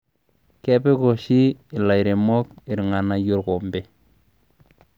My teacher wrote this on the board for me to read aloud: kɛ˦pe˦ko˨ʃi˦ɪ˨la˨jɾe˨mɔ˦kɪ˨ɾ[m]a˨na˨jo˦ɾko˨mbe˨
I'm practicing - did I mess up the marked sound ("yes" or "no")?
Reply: yes